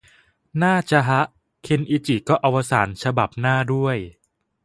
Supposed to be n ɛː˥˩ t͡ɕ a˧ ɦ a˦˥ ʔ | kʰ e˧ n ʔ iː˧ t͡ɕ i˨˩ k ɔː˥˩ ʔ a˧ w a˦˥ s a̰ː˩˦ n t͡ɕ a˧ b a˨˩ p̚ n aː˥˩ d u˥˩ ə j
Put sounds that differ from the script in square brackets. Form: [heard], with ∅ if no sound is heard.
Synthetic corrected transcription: n [aː˥˩] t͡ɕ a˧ ɦ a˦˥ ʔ | kʰ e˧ n ʔ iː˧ t͡ɕ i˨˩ k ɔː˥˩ ʔ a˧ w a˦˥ s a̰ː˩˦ n [t͡ɕʰ] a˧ b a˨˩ p̚ n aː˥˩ d u˥˩ ə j